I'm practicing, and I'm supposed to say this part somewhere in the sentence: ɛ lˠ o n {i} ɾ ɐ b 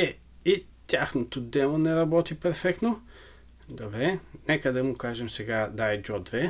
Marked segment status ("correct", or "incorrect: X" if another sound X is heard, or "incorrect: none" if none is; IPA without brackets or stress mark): incorrect: ɛ